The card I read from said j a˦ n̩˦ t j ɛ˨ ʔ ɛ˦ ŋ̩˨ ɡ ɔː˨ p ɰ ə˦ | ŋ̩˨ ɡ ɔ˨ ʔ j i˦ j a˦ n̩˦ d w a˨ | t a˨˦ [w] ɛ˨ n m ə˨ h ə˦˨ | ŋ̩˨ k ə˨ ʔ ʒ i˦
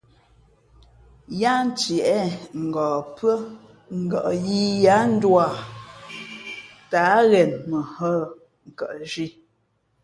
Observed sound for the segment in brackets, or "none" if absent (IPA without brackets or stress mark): ɣ